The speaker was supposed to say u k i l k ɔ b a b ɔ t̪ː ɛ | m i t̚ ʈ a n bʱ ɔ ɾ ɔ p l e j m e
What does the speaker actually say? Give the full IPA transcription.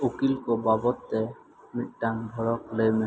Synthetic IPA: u k i l k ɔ b a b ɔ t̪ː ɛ | m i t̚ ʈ a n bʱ ɔ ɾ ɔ k l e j m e